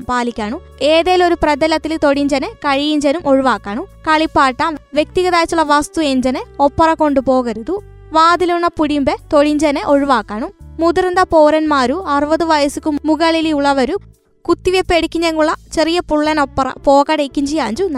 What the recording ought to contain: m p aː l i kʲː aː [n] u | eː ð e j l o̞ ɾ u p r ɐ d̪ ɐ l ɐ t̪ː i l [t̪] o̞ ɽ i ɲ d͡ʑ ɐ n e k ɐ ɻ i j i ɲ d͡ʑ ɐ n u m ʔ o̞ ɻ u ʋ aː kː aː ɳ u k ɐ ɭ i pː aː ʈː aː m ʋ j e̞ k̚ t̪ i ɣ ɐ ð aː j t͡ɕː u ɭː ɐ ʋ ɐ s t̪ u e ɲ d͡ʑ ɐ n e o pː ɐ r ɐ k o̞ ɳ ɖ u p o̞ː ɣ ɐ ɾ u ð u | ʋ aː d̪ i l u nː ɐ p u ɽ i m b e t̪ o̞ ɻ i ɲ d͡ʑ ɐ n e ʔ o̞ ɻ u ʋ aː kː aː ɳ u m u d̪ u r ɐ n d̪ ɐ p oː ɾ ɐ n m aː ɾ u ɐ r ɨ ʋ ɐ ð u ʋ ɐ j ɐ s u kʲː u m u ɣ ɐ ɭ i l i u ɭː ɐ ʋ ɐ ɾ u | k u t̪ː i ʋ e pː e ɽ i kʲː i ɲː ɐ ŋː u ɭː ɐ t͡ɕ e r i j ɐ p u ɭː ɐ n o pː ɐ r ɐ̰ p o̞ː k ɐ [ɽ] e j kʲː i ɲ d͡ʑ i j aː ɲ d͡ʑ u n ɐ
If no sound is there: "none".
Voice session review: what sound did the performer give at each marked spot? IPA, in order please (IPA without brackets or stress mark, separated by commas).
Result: ɳ, t̪, ɽ